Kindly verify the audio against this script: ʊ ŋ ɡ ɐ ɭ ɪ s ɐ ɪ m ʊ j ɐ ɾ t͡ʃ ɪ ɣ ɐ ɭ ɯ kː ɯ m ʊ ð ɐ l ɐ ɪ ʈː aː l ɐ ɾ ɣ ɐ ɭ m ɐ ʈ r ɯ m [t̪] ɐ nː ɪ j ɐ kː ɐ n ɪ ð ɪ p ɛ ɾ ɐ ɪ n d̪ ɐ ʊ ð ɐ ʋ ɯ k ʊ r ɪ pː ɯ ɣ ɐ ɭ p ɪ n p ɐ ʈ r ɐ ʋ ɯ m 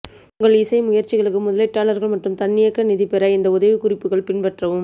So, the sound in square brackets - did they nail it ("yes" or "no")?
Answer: yes